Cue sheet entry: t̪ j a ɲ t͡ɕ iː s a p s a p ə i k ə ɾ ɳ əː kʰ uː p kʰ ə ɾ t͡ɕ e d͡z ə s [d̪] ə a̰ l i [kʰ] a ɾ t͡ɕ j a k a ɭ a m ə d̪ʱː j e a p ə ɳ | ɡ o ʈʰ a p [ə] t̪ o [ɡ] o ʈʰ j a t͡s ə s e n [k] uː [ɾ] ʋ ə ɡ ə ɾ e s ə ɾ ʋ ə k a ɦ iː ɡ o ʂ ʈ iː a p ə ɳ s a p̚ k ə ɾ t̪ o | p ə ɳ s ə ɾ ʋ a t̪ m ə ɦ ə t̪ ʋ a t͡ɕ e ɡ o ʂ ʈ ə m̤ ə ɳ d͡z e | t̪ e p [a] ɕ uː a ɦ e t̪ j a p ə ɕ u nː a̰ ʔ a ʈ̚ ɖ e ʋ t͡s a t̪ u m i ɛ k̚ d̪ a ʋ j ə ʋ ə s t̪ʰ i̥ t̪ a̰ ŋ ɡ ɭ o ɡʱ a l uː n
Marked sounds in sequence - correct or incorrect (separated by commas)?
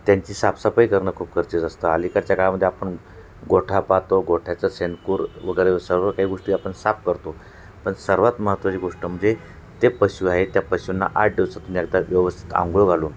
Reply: incorrect, incorrect, incorrect, correct, correct, correct, incorrect